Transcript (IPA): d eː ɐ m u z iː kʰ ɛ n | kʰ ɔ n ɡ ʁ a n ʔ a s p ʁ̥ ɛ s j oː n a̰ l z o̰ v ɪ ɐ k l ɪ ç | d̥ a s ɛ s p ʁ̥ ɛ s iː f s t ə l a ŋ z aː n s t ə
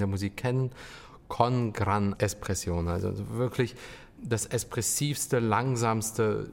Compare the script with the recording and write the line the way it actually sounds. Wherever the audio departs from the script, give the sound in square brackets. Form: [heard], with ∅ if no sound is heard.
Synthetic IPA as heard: d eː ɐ m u z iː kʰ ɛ n | kʰ ɔ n ɡ ʁ a n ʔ [ɛ] s p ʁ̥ ɛ s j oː n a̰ l z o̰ v ɪ ɐ k l ɪ ç | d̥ a s ɛ s p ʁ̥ ɛ s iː f s t ə l a ŋ z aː [m] s t ə